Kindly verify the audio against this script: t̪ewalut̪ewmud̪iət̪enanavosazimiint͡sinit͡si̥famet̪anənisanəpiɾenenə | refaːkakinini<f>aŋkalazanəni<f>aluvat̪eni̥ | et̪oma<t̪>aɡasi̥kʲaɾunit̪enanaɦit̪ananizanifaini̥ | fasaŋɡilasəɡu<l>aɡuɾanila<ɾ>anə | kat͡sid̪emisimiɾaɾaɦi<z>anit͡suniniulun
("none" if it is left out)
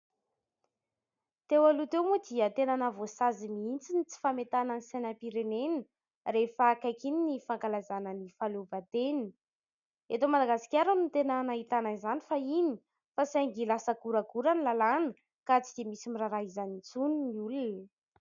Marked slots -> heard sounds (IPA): f, f, d̪, ɾ, l, z

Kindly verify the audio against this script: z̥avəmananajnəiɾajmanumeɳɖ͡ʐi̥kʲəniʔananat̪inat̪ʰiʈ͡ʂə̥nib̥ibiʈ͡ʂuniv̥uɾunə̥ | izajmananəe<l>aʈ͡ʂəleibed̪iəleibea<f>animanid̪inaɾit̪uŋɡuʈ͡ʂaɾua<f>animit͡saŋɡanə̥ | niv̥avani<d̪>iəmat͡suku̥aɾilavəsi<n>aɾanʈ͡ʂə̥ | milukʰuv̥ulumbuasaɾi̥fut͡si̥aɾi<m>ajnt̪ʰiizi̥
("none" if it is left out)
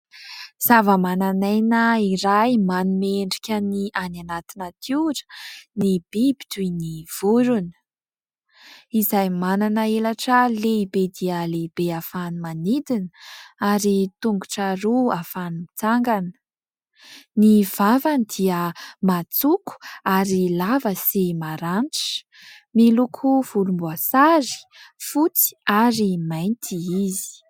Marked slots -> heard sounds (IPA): l, f, f, d̪, m, m

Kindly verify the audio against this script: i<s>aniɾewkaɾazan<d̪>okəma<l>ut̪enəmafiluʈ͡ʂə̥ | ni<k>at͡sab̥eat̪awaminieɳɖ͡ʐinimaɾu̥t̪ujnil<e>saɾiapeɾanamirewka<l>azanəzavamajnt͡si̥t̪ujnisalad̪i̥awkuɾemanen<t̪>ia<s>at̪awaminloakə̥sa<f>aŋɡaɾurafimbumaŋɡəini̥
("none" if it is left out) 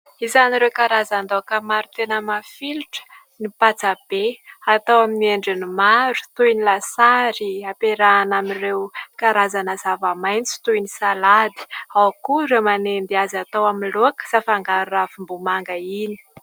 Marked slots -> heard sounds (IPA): z, d̪, ɾ, p, a, ɾ, d̪, z, f

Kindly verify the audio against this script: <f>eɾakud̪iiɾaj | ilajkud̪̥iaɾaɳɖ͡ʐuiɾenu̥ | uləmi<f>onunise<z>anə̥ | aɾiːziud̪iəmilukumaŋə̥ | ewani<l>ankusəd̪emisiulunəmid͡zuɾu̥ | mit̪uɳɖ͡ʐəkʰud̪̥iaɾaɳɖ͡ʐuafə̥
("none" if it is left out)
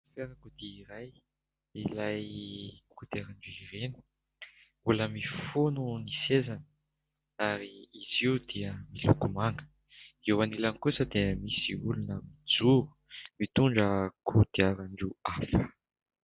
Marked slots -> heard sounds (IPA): f, f, z, l

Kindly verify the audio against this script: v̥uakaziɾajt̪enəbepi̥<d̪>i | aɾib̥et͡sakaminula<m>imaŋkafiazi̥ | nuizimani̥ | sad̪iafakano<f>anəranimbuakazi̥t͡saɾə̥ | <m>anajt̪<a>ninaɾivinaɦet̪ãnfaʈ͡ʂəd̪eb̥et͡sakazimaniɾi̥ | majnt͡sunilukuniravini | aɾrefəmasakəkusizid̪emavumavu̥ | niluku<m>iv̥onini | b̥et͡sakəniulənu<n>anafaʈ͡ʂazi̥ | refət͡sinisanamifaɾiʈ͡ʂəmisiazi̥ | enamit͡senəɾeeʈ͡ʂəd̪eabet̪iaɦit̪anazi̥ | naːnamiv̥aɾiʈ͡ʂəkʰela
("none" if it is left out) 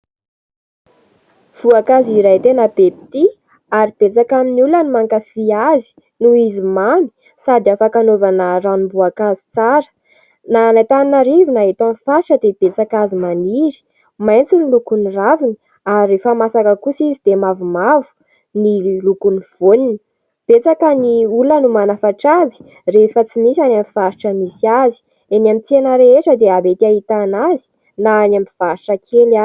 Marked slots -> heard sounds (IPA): t̪, n, v, n, a, n, m

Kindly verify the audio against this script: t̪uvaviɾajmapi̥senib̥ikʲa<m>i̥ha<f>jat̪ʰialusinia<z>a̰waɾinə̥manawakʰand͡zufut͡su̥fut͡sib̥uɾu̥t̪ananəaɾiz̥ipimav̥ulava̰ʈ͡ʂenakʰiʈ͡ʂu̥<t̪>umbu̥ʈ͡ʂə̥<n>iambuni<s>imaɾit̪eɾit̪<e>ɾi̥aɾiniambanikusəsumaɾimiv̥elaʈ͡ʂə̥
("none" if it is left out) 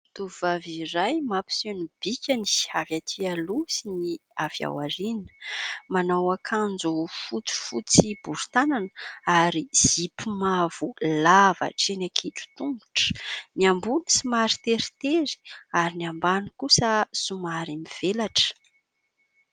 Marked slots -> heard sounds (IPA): n, v, v, t̪, n, s, e

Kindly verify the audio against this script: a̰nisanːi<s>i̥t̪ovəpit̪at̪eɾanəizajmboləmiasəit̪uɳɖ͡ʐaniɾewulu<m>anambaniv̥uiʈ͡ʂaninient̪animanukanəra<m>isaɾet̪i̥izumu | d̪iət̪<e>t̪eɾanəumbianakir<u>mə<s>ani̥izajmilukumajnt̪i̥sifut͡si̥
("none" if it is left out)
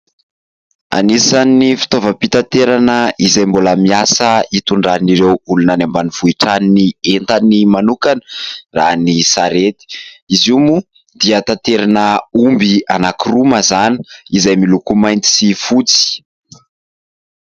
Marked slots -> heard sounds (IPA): f, n, n, a, u, z

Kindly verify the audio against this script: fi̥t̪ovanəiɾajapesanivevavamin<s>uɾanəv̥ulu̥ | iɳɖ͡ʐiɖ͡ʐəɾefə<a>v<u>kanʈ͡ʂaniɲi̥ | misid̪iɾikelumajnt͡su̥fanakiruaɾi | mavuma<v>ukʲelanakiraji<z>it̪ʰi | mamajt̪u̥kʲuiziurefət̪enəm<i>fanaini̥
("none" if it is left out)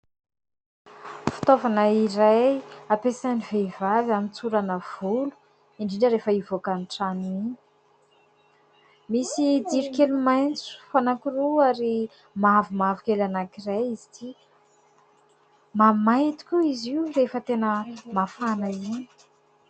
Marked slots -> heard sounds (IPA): t͡s, i, o, v, z, a

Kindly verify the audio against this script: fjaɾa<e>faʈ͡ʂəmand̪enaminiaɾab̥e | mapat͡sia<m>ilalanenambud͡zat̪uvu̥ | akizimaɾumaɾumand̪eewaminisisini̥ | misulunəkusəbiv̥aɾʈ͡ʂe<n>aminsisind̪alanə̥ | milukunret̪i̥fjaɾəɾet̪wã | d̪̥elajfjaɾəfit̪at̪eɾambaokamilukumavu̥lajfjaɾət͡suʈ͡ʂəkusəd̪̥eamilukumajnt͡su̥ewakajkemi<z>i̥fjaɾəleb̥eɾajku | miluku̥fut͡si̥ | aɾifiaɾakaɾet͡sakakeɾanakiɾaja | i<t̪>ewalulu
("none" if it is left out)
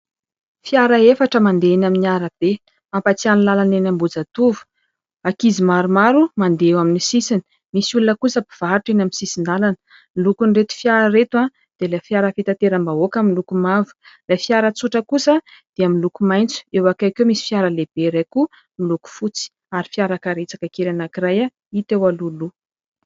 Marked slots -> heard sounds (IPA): e, n, n, s, t̪

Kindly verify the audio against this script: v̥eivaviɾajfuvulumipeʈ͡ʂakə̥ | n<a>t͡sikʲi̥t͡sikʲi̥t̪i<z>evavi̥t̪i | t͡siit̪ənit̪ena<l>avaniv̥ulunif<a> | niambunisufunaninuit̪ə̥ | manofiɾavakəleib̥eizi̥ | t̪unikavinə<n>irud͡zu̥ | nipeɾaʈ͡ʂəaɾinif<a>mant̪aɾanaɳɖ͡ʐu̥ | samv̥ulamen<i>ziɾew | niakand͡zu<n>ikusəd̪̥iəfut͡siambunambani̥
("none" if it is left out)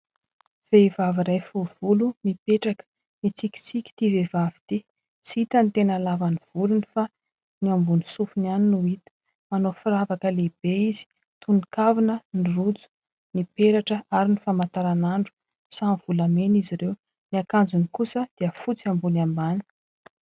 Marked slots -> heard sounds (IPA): i, v, l, a, n, a, i, n

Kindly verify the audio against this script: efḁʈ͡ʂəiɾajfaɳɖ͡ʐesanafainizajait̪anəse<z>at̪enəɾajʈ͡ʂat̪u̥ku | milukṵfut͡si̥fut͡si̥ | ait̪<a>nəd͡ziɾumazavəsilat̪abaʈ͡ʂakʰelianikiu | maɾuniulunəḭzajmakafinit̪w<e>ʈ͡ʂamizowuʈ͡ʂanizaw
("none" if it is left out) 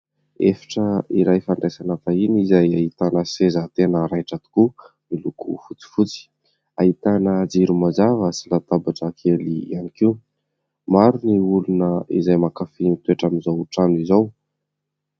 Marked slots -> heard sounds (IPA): z, a, e

